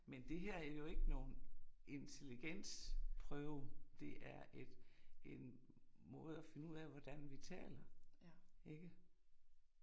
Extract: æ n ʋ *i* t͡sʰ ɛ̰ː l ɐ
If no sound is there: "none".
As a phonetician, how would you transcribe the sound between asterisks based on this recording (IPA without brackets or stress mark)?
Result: i